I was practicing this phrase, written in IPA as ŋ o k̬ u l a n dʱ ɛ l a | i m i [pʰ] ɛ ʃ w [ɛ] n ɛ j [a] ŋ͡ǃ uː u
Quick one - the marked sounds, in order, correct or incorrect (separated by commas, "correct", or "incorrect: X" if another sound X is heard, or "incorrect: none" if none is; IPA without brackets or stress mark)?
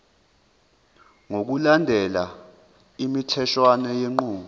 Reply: incorrect: tʰ, incorrect: a, incorrect: e